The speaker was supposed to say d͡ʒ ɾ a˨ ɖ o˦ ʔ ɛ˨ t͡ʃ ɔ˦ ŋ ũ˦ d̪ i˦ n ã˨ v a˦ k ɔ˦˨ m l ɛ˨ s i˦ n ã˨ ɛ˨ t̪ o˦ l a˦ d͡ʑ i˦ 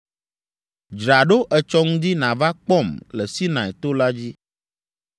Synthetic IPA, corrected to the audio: d͡ʒ ɾ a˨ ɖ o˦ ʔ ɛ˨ t͡ʃ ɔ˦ ŋ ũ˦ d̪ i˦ n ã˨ v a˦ k͡p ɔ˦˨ m l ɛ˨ s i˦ n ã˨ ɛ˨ t̪ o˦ l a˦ d͡ʑ i˦